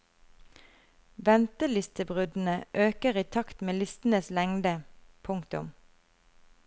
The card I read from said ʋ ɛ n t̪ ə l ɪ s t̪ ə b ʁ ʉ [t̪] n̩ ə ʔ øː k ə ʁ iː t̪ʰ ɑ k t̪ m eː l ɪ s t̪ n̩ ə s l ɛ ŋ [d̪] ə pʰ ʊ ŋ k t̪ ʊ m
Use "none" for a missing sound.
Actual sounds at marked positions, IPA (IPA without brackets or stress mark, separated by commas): d̪, d̪